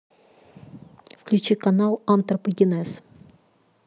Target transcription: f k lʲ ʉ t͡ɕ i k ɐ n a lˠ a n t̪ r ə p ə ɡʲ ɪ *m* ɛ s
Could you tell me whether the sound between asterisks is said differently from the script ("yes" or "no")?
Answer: yes